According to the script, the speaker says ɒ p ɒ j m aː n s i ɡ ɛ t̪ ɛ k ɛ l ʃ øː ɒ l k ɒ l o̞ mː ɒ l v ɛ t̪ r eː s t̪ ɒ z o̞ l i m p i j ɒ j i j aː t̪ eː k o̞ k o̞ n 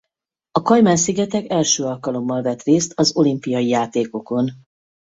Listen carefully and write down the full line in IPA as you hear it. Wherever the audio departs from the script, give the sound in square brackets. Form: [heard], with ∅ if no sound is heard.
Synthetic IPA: ɒ [k] ɒ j m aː n s i ɡ ɛ t̪ ɛ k ɛ l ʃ øː ɒ l k ɒ l o̞ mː ɒ l v ɛ t̪ r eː s t̪ ɒ z o̞ l i m p i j ɒ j i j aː t̪ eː k o̞ k o̞ n